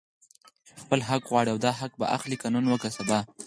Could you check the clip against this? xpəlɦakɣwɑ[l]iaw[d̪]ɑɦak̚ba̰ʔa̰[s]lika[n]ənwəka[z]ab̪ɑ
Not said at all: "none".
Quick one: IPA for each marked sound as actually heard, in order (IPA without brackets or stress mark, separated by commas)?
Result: ɽ, d̪, x, n, s